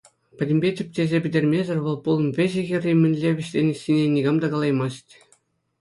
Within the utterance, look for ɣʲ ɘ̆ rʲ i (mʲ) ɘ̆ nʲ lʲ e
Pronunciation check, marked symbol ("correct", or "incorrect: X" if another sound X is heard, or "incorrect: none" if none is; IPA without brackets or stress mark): correct